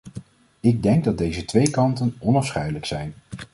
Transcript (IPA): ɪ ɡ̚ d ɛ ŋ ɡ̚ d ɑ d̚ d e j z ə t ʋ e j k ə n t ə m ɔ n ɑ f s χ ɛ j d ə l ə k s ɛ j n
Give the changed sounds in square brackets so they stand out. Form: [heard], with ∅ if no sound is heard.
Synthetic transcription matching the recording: ɪ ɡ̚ d ɛ ŋ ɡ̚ d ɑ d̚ d e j z ə t ʋ e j k [ɑ] n t ə [n] ɔ n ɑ f s χ ɛ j d ə l ə k s ɛ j n